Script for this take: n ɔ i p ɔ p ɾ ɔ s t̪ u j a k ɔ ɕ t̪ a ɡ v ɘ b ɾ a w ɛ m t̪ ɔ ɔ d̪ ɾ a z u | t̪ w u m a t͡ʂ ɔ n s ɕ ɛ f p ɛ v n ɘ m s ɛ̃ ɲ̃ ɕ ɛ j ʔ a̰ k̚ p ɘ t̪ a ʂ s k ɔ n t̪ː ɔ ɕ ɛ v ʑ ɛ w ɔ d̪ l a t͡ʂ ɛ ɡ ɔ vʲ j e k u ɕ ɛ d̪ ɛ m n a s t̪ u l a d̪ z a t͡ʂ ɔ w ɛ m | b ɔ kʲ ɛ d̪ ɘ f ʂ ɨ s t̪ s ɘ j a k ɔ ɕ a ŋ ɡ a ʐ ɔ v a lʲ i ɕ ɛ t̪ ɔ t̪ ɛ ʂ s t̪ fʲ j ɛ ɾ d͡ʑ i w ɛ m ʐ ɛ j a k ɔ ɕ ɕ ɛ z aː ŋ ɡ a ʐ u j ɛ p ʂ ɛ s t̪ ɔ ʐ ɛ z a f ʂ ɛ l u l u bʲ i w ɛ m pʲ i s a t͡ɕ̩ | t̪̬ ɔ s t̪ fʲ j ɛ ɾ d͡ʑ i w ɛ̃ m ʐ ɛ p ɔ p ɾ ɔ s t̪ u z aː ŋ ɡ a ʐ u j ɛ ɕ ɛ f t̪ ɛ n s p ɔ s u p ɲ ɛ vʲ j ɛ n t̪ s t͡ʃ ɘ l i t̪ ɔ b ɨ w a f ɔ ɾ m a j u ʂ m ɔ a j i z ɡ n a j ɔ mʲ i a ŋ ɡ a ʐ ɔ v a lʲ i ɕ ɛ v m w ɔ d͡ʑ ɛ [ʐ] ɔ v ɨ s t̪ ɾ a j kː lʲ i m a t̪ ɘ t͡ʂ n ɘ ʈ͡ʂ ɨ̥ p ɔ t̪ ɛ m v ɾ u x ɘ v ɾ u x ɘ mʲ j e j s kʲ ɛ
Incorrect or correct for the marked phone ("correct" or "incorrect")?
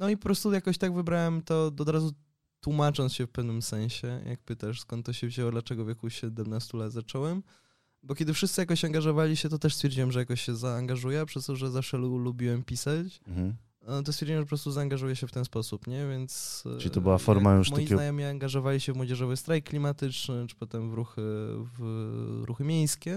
correct